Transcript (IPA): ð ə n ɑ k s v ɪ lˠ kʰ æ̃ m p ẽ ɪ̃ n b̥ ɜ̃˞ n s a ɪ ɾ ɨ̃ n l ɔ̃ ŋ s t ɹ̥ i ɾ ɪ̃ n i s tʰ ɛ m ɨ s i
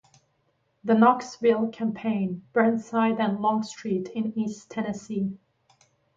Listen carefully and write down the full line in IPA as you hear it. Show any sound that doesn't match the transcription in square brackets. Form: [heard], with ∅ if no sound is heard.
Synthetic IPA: ð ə n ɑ k s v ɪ lˠ kʰ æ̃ m [pʰ] ẽ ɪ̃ n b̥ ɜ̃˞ n s a ɪ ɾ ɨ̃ n l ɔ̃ ŋ s t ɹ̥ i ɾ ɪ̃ n i s tʰ ɛ [n] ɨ s i